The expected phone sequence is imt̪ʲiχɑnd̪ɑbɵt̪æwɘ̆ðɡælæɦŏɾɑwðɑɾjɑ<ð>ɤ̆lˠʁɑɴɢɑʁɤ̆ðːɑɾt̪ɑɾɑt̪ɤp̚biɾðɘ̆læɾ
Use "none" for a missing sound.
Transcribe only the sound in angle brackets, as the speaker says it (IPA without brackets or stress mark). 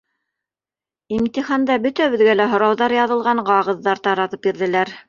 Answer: ð